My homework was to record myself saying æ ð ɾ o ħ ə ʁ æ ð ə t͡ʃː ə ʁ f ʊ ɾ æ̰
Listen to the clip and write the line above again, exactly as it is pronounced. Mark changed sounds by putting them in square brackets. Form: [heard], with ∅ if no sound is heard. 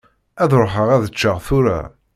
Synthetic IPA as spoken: æ ð ɾ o ħ ə ʁ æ ð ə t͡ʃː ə ʁ [θ] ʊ ɾ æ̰